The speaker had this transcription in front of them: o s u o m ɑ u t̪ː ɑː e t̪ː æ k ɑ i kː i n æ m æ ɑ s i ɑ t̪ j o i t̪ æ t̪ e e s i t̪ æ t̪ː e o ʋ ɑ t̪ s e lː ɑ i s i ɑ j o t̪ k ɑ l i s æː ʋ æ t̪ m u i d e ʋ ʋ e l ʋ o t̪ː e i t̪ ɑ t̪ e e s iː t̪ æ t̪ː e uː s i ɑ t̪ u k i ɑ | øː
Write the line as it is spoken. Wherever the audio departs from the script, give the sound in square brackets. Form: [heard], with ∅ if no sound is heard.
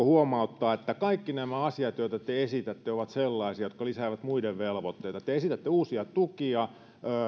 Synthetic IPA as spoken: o [h] u o m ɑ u t̪ː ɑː e t̪ː æ k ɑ i kː i n æ m æ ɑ s i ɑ t̪ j o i t̪ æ t̪ e e s i t̪ æ t̪ː e o ʋ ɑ t̪ s e lː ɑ i s i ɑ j o t̪ k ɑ l i s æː ʋ æ t̪ m u i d e ʋ ʋ e l ʋ o t̪ː e i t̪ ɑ t̪ e e s [i] t̪ æ t̪ː e uː s i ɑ t̪ u k i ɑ | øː

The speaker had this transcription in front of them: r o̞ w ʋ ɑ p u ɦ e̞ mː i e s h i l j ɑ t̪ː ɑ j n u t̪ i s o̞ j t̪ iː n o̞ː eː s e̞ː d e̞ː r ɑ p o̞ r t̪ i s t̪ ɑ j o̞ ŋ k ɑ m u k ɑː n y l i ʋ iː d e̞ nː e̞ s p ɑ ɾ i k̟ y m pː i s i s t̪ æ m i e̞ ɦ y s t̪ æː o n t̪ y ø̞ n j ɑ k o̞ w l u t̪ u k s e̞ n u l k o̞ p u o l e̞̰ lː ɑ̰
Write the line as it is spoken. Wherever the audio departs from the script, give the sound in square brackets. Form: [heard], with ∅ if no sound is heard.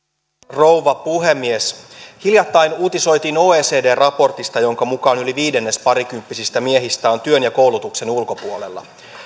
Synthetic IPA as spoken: r o̞ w ʋ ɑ p u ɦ e̞ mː i e s h i l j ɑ t̪ː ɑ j n [uː] t̪ i s o̞ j t̪ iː n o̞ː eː s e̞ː d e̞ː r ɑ p o̞ r t̪ i s t̪ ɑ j o̞ ŋ k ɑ m u k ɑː n y l i ʋ iː d e̞ nː e̞ s p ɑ ɾ i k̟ y m pː i s i s t̪ æ m i e̞ ɦ [i] s t̪ æː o n t̪ y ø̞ n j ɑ k o̞ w l u t̪ u k s e̞ n u l k o̞ p u o l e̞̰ lː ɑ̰

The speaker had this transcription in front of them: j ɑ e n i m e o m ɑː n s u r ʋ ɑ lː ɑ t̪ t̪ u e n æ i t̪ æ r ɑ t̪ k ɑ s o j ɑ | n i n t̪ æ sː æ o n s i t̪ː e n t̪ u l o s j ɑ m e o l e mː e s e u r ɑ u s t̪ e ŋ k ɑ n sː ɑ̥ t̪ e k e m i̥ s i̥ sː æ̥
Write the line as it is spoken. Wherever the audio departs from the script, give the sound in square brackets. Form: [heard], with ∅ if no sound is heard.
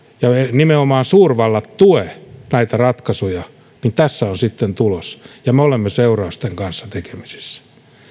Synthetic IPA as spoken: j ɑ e n i m e o m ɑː n s [uː] r ʋ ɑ lː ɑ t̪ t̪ u e n æ i t̪ æ r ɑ t̪ k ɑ s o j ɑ | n i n t̪ æ sː æ o n s i t̪ː e n t̪ u l o s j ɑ m e o l e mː e s e u r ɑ u s t̪ e ŋ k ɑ n sː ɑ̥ t̪ e k e m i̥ s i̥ sː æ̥

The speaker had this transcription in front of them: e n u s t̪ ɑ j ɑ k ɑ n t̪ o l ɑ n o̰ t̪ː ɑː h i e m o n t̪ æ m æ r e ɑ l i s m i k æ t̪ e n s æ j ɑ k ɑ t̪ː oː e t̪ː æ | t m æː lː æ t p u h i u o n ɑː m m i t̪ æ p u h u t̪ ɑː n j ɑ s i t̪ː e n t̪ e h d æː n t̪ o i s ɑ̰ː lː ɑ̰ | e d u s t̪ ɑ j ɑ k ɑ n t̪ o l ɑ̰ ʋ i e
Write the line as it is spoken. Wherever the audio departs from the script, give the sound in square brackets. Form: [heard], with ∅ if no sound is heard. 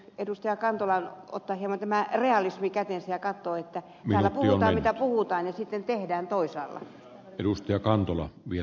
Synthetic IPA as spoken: e [d] u s t̪ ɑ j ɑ k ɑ n t̪ o l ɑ n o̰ t̪ː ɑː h i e m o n t̪ æ m æ r e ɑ l i s m i k æ t̪ e n s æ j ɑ k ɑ t̪ː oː e t̪ː æ | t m æː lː æ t p u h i u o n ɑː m m i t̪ æ p u h u t̪ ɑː n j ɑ s i t̪ː e n t̪ e h d æː n t̪ o i s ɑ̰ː lː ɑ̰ | e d u s t̪ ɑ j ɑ k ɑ n t̪ o l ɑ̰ ʋ i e

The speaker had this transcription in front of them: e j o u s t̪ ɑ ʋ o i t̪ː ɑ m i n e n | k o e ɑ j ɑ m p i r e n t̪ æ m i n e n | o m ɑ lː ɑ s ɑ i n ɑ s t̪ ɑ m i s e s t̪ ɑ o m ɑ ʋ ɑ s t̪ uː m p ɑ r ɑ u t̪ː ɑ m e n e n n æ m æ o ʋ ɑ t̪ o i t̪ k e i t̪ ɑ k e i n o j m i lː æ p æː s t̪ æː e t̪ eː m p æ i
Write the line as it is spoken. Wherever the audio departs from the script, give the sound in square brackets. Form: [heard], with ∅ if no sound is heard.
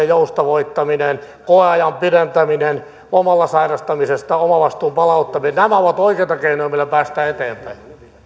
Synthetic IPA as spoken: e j o u s t̪ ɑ ʋ o i t̪ː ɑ m i n e n | k o e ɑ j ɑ m p i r e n t̪ æ m i n e n | o m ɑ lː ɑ s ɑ i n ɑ s t̪ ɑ m i s e s t̪ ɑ o m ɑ ʋ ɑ s t̪ uː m p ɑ [l] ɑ u t̪ː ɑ m [i] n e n n æ m æ o ʋ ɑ t̪ o i [∅] k e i t̪ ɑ k e i n o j m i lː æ p æː s t̪ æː e t̪ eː m p æ i

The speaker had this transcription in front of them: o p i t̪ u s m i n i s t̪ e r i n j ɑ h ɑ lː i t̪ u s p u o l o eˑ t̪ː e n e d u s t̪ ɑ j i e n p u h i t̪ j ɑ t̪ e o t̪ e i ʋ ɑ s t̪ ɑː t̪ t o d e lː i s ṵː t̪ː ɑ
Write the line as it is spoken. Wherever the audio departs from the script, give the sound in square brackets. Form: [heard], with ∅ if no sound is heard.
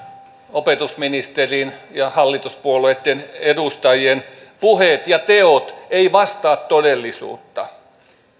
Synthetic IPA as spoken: o p [e] t̪ u s m i n i s t̪ e r i n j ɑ h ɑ lː i t̪ u s p u o l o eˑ t̪ː e n e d u s t̪ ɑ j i e n p u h [e] t̪ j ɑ t̪ e o t̪ e i ʋ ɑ s t̪ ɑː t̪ t o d e lː i s ṵː t̪ː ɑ

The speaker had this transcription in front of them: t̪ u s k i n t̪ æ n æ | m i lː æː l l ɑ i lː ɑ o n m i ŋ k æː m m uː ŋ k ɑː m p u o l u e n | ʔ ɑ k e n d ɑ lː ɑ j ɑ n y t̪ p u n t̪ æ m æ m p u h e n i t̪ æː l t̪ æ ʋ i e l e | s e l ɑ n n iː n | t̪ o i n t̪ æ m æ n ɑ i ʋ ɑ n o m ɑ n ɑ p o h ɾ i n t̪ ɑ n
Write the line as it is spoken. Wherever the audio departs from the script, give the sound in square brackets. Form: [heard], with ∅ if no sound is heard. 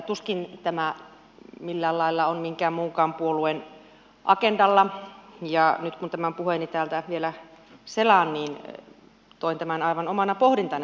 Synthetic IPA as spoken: t̪ u s k i n t̪ æ [m] æ | m i lː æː l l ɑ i lː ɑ o n m i ŋ k æː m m uː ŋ k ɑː m p u o l u e n | ʔ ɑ k e n d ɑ lː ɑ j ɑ n y t̪ [k] u n t̪ æ m æ m p u h e n i t̪ æː l t̪ æ ʋ i e l [æ] | s e l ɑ n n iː n | t̪ o i n t̪ æ m æ n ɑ i ʋ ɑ n o m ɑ n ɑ p o h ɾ i n t̪ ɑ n

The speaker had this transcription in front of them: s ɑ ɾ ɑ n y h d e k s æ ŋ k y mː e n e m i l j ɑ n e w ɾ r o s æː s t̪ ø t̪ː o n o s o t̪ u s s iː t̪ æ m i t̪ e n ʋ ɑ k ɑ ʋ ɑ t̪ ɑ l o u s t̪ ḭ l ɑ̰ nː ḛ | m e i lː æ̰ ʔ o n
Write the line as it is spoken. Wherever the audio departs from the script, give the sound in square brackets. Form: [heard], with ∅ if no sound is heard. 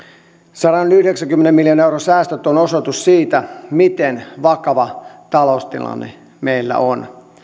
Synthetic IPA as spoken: s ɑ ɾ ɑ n y h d e k s æ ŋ k y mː e n e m i l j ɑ n e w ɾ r o s æː s t̪ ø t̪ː o n o s o t̪ u s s iː t̪ æ m i t̪ e n ʋ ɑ k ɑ ʋ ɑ t̪ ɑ l o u s t̪ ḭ l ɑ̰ nː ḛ | m e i lː æ̰ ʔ o n

